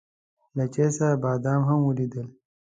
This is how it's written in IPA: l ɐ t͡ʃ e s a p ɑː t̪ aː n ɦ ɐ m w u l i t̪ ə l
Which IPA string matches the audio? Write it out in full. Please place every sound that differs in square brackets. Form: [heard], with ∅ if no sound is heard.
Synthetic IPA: l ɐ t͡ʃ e s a [b] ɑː [d̪] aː [m] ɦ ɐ m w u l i [d̪] ə l